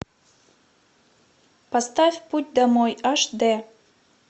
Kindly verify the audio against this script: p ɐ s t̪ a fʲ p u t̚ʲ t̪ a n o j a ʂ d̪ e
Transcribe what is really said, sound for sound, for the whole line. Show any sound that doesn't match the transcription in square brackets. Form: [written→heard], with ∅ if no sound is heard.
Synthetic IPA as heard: p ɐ s t̪ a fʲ p u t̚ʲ [t̪→d̪] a [n→m] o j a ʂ d̪ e